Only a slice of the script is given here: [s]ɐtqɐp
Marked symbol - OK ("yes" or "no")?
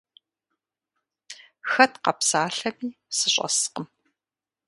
no